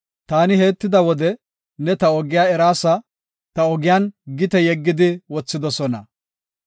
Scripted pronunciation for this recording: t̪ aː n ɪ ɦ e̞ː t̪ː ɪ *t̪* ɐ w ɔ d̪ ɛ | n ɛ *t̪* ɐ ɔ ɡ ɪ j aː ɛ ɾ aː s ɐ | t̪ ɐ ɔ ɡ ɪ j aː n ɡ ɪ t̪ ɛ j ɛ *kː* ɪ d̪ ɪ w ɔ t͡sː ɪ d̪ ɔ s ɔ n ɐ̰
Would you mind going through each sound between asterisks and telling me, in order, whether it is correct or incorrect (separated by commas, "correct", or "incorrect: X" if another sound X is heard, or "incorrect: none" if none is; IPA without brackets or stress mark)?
incorrect: d̪, correct, incorrect: ɡː